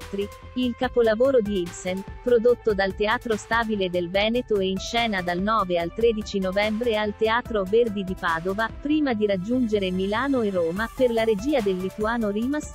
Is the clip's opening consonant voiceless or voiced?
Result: voiceless